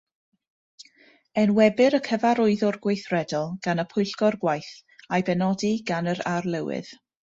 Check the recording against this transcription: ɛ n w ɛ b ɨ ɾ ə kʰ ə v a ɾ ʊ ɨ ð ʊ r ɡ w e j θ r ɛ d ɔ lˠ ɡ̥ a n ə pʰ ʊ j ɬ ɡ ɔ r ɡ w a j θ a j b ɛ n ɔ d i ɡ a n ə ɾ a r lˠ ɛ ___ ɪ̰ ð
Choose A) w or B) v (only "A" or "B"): A